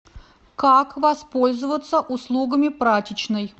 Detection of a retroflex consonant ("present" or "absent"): absent